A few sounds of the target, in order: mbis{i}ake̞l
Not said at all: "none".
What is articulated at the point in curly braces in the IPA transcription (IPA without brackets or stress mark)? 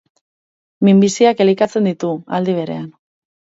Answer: i